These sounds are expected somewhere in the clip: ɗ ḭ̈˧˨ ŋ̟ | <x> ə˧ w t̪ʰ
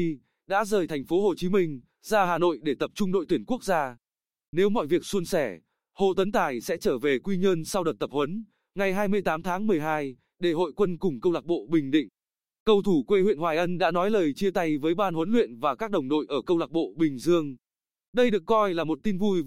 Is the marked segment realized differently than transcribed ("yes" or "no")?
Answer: yes